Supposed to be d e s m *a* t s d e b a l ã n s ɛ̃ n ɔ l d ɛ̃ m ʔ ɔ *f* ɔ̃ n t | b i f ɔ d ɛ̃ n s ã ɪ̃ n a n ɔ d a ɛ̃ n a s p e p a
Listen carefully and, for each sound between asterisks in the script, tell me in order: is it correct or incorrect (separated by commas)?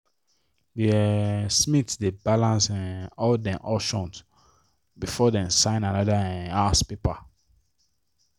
incorrect, incorrect